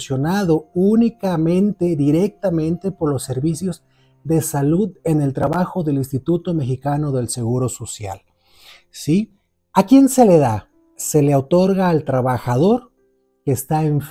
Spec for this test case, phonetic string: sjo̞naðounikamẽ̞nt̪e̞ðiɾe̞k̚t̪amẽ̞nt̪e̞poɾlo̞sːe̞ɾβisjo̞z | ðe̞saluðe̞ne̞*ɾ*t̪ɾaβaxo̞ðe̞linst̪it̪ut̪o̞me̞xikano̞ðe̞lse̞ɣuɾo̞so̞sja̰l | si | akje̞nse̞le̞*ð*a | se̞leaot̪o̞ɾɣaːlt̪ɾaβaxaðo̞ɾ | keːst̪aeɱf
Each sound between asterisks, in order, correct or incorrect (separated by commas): incorrect, correct